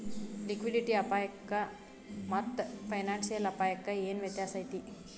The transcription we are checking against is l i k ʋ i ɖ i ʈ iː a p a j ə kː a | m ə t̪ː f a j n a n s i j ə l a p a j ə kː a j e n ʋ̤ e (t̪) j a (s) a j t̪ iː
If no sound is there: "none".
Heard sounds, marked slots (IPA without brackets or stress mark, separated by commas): t̪, s